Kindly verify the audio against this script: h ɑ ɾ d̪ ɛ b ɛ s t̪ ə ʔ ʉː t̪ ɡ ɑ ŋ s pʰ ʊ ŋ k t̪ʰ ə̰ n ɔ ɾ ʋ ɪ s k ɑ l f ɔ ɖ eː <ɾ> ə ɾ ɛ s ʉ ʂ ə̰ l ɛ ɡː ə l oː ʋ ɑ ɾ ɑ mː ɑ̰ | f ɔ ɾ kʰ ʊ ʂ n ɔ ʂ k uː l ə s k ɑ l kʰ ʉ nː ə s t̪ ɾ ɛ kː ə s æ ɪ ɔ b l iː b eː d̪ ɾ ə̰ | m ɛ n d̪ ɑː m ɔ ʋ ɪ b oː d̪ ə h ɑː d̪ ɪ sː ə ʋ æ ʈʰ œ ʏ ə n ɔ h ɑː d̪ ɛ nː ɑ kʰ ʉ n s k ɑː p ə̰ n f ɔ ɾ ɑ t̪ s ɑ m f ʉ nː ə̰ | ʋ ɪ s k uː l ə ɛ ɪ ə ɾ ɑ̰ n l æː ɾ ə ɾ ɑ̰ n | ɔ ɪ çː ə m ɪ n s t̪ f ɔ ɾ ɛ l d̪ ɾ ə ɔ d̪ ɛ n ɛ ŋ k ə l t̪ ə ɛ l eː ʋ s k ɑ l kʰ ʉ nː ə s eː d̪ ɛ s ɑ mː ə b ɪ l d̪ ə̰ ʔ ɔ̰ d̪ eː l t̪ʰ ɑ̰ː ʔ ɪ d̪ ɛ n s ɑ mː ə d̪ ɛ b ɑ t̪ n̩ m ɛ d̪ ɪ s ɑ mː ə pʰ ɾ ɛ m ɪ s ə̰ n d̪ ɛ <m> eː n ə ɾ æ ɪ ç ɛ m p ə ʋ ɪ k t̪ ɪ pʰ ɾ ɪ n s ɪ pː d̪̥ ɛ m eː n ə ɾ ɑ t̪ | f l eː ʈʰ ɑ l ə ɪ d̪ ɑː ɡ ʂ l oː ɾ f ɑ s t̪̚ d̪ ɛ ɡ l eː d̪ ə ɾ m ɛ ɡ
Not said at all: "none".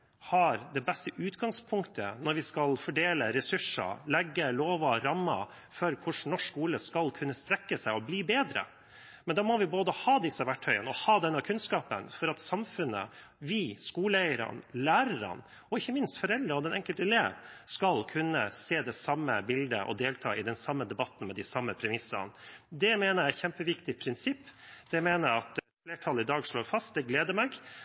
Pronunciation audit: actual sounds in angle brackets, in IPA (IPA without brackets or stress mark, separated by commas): l, m